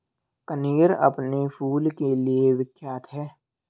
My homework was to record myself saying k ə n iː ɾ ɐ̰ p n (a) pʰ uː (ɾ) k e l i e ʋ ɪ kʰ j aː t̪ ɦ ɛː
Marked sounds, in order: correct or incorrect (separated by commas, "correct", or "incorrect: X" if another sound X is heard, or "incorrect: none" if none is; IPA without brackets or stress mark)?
incorrect: e, incorrect: l